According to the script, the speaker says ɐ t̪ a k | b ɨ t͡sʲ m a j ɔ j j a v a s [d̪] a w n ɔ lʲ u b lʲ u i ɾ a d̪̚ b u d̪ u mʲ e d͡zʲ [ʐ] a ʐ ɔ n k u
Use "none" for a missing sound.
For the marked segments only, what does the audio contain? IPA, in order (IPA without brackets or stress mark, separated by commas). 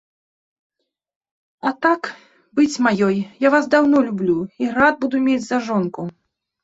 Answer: d̪, z